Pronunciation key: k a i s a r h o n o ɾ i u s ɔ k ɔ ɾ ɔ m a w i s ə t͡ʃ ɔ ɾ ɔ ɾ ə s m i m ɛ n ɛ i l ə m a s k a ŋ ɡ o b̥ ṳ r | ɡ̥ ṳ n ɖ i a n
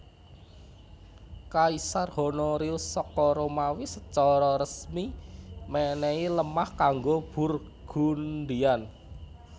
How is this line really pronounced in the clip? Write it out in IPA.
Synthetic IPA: k a i s a r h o n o ɾ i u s ɔ k ɔ ɾ o m a w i s ə t͡ʃ ɔ ɾ ɔ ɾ ə s m i m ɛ n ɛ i l ə m a h k a ŋ ɡ o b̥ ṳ r | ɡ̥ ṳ n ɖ i a n